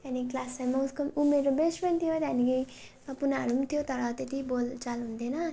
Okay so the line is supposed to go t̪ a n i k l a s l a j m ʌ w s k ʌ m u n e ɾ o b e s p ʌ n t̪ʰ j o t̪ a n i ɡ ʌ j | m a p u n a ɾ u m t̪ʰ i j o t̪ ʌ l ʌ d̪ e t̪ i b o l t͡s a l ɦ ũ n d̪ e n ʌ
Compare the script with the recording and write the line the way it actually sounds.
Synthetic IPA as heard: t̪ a n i k l a s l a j m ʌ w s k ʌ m u m e ɾ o b e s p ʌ n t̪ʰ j o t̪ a n i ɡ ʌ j | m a p u n a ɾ u m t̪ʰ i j o t̪ ʌ ɾ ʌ t̪ e t̪ i b o l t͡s a l ɦ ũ n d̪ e n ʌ

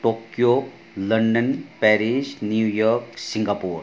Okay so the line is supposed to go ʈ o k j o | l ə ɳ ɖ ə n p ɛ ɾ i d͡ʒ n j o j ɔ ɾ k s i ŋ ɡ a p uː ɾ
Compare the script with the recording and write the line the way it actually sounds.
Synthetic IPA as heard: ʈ o k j o | l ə ɳ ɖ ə n p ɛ ɾ i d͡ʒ n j u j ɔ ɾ k s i ŋ ɡ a p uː ɾ

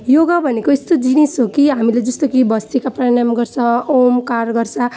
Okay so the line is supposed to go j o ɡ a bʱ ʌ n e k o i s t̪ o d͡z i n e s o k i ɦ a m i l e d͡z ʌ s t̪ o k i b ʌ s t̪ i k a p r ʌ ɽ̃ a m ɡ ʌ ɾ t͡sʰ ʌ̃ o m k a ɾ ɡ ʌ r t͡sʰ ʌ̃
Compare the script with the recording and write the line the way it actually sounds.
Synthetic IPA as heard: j o ɡ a bʱ ʌ n e k o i s t̪ o d͡z i n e s o k i ɦ a m i l e d͡z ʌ s t̪ o k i b ʌ s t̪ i k a p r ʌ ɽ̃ a m ɡ ʌ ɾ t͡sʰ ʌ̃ o m k a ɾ ɡ ʌ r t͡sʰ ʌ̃

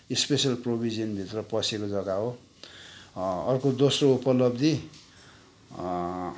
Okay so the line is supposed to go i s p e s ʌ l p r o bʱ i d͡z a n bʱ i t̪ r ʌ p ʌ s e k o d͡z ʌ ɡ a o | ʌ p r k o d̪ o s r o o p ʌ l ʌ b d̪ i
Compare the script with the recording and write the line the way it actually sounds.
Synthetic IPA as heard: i s p e s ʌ l p r o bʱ i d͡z ʌ n bʱ i t̪ r ʌ p ʌ s e k o d͡z ʌ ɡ a o | ʌ r k o d̪ o s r o u p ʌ l ʌ b d̪ i

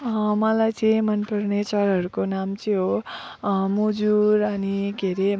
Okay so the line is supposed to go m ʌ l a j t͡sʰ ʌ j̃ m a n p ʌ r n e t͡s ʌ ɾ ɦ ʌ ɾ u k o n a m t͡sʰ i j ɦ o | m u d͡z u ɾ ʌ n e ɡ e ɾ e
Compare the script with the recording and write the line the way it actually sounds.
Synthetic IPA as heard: m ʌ l a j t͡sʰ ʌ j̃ m ʌ n p ʌ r n e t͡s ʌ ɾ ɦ ʌ ɾ u k o n a m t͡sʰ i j ɦ o | m u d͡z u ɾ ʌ n i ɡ e ɾ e

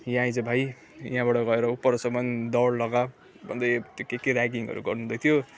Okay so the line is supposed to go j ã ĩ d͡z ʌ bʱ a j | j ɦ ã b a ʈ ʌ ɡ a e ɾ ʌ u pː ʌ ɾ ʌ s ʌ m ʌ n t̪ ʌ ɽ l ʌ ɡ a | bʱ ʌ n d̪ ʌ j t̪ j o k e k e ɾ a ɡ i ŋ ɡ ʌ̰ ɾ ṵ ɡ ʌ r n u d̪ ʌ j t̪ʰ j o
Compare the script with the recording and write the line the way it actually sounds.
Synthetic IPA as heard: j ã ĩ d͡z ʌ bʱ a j | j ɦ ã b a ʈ ʌ ɡ ʌ e ɾ ʌ u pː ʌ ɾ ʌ s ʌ m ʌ n d̪ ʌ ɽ l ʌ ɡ a | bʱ ʌ n d̪ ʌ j t̪ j o k e k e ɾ a ɡ i ŋ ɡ ʌ̰ ɾ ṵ ɡ ʌ r n u d̪ ʌ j t̪ʰ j o

